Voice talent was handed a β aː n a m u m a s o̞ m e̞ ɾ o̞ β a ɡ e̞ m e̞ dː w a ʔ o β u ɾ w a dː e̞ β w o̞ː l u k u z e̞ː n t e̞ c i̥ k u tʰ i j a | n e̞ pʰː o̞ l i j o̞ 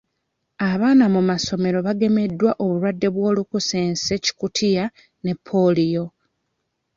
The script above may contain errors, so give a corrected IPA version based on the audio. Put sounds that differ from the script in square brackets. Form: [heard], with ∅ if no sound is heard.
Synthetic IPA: a β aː n a m u m a s o̞ m e̞ ɾ o̞ β a ɡ e̞ m e̞ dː w a ʔ o β u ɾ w a dː e̞ β w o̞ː l u k u [s] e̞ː n [s] e̞ c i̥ k u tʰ i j a | n e̞ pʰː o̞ l i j o̞